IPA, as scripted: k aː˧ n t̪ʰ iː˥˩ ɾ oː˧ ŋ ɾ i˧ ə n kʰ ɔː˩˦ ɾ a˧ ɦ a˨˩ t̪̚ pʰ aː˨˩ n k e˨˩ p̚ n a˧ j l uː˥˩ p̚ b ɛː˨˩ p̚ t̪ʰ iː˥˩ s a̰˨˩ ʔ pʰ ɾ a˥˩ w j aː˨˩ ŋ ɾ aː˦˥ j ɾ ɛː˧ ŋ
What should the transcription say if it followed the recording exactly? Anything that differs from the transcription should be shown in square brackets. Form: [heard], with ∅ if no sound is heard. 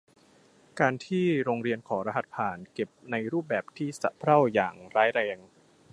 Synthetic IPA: k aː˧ n t̪ʰ iː˥˩ ɾ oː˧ ŋ ɾ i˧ ə n kʰ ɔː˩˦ ɾ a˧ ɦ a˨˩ t̪̚ pʰ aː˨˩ n k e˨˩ p̚ n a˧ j [ɾ] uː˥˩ p̚ b ɛː˨˩ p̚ t̪ʰ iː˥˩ s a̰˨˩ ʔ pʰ ɾ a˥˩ w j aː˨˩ ŋ ɾ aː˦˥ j ɾ ɛː˧ ŋ